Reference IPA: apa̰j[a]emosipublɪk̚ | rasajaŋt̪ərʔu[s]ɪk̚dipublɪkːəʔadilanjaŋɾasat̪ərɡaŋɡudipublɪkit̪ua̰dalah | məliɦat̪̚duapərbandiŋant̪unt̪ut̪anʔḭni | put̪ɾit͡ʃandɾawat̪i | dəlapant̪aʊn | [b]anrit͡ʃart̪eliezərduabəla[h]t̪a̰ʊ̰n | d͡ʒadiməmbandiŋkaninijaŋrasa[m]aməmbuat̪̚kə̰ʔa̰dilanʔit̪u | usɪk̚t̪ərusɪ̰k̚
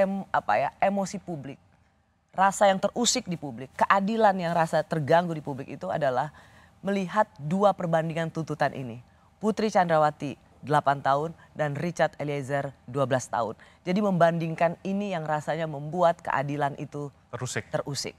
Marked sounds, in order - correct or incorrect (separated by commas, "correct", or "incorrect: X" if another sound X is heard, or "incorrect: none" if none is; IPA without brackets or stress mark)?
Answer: correct, correct, incorrect: d, incorrect: s, incorrect: ɲ